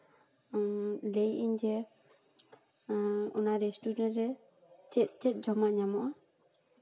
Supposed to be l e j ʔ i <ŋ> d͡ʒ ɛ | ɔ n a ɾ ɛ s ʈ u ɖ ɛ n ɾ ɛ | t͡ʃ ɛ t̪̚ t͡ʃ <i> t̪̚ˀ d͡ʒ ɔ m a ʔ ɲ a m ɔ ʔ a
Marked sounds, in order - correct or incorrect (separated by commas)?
incorrect, incorrect